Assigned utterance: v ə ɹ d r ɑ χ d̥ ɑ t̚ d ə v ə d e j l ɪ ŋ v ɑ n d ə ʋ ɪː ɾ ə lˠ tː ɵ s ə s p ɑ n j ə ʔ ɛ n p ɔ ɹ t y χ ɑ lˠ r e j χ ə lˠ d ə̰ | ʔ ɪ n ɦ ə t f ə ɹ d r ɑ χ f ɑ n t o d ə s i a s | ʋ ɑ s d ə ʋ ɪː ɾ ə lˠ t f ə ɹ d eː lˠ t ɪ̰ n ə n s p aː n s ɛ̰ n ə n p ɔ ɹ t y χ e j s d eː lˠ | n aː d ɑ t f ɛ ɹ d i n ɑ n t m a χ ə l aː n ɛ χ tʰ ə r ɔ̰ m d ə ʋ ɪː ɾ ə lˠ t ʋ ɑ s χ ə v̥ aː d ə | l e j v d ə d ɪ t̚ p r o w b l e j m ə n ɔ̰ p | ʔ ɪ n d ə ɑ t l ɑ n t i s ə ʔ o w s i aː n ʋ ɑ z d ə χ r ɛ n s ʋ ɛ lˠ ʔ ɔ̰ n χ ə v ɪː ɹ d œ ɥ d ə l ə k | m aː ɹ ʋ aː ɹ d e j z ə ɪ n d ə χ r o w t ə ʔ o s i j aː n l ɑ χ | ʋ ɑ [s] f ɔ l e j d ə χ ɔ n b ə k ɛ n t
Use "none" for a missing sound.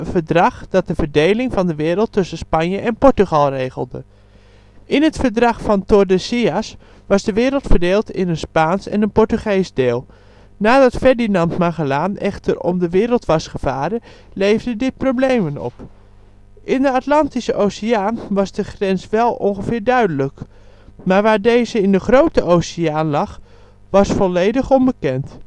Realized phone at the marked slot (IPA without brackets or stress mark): s